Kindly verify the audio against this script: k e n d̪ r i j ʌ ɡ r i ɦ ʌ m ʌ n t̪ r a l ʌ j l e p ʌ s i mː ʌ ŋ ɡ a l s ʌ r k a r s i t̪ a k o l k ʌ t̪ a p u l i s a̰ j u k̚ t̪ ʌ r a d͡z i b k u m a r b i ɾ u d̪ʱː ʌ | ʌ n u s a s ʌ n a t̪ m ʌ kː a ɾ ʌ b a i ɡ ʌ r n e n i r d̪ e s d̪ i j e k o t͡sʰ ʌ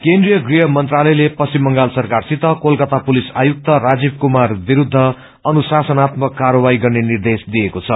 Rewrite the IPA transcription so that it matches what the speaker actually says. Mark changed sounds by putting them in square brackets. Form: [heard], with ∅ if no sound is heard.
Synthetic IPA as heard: k e n d̪ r i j ʌ ɡ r i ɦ ʌ m ʌ n t̪ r a l ʌ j l e p ʌ s i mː ʌ ŋ ɡ a l s ʌ r k a r s i t̪ [ʌ] k o l k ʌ t̪ a p u l i s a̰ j u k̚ t̪ ʌ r a d͡z i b k u m a r b i ɾ u d̪ʱː ʌ | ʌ n u s a s ʌ n a t̪ m ʌ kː a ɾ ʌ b a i ɡ ʌ r n e n i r d̪ e s d̪ i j e k o t͡sʰ ʌ